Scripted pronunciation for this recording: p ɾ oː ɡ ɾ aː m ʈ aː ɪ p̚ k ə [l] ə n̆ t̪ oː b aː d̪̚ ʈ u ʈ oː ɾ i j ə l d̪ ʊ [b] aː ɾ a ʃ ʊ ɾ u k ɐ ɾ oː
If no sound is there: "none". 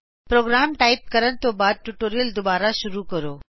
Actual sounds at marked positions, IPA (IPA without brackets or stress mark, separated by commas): ɾ, b